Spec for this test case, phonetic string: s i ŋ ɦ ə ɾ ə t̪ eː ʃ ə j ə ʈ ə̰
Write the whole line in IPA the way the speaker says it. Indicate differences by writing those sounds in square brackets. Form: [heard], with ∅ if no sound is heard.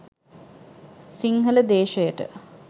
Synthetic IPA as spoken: s i ŋ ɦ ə [l] ə [d̪] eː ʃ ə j ə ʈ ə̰